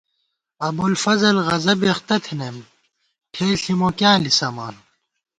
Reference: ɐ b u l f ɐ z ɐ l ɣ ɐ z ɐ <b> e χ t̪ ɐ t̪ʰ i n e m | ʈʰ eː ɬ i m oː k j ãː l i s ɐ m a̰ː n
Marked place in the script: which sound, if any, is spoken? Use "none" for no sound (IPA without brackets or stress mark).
b